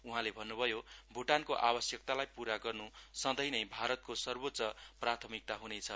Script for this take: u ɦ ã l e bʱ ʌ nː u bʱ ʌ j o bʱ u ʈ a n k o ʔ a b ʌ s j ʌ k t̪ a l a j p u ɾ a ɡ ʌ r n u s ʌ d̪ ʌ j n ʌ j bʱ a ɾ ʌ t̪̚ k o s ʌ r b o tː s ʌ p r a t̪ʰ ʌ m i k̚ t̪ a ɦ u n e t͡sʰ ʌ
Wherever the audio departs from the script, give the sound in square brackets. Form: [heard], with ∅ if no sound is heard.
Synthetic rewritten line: u ɦ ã l e bʱ ʌ nː u bʱ ʌ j o bʱ u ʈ a n k o ʔ a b ʌ s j ʌ k t̪ a l a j p u ɾ a ɡ ʌ r n u s ʌ d̪ ʌ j n ʌ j bʱ a ɾ ʌ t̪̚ k o s ʌ r b o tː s ʌ p r a t̪ʰ ʌ m i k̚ t̪ a ɦ u n e t͡sʰ ʌ